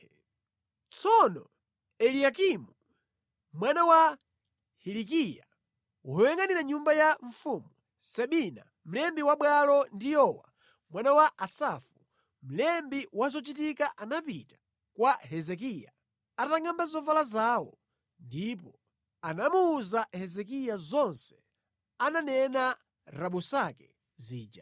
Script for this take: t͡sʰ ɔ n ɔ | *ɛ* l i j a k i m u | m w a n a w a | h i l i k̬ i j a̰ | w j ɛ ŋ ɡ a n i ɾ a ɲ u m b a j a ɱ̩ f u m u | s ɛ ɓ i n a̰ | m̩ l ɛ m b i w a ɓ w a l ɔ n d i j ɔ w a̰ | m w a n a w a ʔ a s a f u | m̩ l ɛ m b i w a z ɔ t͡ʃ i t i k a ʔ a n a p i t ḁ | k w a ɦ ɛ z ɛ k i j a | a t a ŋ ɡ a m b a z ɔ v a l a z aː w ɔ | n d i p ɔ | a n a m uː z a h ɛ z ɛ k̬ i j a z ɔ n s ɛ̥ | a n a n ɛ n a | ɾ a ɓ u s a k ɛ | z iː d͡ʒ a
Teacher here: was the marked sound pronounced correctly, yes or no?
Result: yes